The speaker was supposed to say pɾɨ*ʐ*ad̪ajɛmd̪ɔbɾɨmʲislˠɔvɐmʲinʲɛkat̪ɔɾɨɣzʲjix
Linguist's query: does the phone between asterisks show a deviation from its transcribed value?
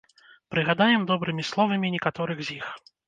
yes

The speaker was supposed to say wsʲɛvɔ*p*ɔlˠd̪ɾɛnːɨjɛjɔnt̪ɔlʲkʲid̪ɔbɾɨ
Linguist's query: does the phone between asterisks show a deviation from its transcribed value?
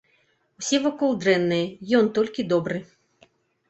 yes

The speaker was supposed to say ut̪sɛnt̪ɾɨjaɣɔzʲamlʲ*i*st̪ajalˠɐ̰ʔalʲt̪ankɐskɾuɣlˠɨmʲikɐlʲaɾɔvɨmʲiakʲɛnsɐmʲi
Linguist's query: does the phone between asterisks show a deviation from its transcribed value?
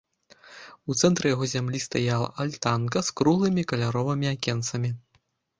no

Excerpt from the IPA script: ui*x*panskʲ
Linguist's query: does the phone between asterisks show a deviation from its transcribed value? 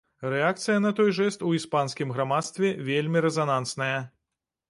yes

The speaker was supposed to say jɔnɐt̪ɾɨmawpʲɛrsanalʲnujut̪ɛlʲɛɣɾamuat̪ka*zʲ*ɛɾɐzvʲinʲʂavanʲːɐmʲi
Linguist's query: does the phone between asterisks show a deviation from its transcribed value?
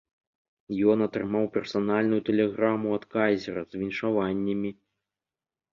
no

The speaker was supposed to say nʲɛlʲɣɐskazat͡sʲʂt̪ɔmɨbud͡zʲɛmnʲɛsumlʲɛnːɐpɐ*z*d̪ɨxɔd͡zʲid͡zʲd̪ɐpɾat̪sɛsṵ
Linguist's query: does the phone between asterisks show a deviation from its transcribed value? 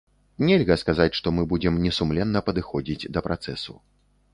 yes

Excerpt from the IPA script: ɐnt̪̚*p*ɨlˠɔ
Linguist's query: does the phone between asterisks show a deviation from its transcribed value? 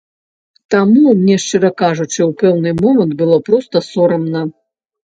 yes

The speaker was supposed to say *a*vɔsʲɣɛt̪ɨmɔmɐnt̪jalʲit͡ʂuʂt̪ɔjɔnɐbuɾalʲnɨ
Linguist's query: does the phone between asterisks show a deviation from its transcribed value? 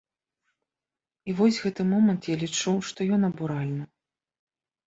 yes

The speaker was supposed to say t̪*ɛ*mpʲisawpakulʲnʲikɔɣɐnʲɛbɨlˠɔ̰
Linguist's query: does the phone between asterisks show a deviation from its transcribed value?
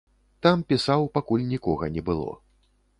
yes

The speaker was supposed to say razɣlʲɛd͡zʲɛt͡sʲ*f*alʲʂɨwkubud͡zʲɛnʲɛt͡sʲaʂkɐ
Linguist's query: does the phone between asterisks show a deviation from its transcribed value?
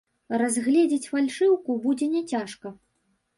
no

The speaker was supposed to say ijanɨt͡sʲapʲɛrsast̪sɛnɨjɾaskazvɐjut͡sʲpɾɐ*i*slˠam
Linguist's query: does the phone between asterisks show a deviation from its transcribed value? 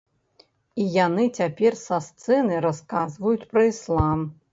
no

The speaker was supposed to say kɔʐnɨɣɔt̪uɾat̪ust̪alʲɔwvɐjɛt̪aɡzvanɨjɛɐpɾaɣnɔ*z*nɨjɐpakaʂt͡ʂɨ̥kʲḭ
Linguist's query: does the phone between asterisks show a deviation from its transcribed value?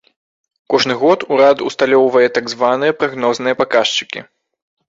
no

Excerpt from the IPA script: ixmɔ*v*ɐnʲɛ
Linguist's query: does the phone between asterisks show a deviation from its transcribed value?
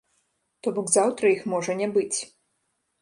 yes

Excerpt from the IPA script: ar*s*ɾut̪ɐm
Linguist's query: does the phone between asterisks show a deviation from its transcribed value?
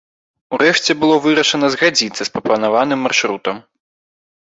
yes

